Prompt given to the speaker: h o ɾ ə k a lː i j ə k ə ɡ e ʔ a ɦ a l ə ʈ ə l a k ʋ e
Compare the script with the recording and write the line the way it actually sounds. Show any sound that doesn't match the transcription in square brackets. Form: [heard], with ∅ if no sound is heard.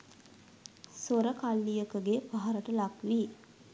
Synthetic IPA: [s] o ɾ ə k a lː i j ə k ə ɡ e [p] a ɦ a [ɾ] ə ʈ ə l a k ʋ [i]

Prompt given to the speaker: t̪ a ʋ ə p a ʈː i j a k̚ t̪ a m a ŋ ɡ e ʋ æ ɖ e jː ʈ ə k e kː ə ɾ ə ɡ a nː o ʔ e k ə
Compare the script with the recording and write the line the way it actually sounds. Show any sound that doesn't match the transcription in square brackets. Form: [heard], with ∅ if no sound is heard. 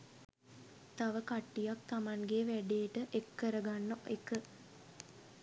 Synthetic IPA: t̪ a ʋ ə [k] a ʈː i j a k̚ t̪ a m a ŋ ɡ e ʋ æ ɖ e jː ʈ ə [ʔ] e kː ə ɾ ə ɡ a nː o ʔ e k ə

